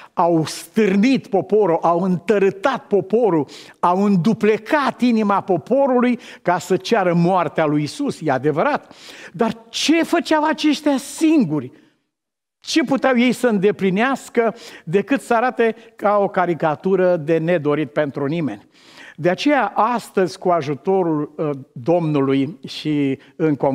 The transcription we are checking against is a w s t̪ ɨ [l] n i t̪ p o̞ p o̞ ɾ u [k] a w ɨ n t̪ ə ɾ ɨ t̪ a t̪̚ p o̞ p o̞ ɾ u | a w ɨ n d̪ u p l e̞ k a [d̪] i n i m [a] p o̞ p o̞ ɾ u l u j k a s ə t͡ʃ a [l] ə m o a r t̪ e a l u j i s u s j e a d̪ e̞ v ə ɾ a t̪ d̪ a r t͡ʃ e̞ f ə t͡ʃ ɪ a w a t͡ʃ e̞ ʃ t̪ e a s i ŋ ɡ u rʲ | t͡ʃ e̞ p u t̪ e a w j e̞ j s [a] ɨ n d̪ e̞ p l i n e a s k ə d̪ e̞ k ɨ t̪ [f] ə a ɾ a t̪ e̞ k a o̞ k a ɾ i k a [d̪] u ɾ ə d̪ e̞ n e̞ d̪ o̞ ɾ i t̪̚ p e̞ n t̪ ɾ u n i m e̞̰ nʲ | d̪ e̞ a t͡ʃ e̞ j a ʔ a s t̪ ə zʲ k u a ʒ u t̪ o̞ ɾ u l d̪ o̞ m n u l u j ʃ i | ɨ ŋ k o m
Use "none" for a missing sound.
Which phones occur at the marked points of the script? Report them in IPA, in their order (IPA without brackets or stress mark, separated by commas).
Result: r, ʔ, t̪, a, ɾ, ə, s, t̪